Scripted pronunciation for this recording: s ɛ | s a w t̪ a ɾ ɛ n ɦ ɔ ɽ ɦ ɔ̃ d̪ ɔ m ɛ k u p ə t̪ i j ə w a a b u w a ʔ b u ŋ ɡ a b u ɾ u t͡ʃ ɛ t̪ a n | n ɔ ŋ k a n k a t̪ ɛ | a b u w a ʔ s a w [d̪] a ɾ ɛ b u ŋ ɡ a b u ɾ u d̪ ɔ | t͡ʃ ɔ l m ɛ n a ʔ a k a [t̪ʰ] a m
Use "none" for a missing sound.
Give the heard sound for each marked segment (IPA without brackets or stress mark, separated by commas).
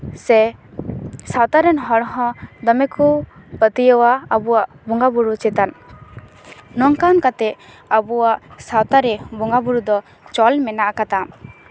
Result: t̪, t̪